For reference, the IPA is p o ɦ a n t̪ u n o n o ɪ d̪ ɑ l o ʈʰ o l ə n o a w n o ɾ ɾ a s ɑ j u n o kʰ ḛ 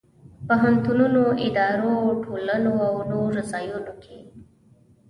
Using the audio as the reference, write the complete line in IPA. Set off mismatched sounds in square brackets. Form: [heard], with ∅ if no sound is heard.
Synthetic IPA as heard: p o ɦ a n t̪ u n [u] n o ɪ d̪ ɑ [ɾ] o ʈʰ o l ə n o a w n o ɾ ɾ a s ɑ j u n o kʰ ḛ